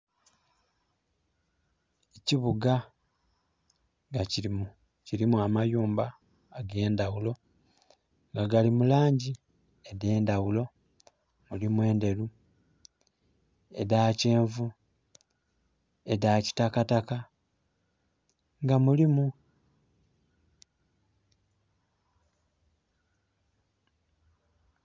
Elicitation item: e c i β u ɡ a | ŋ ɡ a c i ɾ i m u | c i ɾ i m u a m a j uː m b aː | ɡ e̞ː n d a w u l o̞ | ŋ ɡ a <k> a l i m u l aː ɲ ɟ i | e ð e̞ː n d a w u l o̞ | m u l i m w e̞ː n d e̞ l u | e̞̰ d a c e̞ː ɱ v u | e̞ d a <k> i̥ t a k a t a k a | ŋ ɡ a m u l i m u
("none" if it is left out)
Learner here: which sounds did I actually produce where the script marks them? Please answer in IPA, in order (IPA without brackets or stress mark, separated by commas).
ɡ, c